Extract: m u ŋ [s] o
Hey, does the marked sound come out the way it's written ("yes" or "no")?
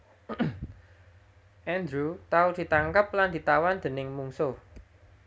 yes